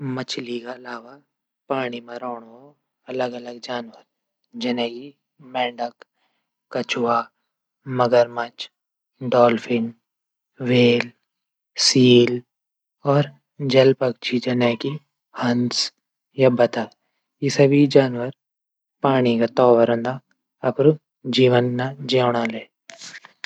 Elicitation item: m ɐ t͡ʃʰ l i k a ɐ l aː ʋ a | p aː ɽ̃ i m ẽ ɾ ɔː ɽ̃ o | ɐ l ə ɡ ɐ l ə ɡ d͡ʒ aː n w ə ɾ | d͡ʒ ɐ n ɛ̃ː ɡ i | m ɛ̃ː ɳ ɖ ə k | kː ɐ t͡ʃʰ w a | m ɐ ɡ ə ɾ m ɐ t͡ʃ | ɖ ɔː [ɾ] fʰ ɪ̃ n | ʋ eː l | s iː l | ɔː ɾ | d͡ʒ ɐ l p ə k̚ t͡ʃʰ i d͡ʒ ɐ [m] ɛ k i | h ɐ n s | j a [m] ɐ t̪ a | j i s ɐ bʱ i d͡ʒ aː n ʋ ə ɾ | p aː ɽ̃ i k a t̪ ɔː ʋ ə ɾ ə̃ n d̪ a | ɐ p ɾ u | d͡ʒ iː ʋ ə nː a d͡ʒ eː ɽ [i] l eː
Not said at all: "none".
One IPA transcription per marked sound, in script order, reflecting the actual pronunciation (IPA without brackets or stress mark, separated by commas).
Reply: l, n, b, a